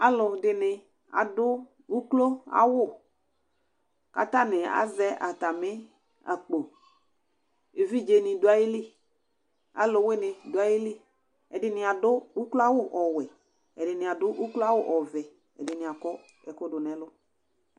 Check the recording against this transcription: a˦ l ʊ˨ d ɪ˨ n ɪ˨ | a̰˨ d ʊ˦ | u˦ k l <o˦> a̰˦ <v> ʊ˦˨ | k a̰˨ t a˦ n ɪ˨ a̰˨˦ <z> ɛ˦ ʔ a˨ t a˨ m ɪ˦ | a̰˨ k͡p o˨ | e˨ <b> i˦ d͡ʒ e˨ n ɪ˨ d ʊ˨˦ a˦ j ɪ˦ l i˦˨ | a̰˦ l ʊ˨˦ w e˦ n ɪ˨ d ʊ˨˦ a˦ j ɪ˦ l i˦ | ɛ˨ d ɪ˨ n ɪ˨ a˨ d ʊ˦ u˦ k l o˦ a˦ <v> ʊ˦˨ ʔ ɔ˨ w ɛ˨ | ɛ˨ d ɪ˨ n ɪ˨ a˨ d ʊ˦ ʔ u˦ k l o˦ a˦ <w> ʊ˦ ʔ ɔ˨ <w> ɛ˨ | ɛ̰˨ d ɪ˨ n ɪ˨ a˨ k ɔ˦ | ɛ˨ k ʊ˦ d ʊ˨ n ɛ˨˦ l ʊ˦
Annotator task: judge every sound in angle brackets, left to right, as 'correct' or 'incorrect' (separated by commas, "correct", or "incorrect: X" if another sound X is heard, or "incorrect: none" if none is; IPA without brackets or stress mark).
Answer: correct, incorrect: w, correct, incorrect: v, incorrect: w, correct, incorrect: v